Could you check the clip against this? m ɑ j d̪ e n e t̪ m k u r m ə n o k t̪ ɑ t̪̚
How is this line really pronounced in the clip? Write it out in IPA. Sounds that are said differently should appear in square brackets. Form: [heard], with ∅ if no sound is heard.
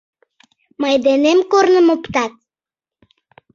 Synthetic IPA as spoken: m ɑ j d̪ e n e [∅] m k [o] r [n] ə [m] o [p] t̪ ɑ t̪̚